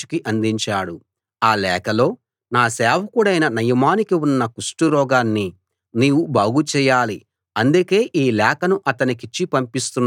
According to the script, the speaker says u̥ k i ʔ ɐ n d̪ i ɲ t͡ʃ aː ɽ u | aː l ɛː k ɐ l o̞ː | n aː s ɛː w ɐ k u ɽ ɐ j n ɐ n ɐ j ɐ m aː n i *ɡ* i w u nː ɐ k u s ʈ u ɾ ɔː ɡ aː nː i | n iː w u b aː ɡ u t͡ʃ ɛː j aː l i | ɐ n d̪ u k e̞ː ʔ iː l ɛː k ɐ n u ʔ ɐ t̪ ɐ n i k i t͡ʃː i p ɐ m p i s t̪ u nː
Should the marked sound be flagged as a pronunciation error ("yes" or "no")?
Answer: yes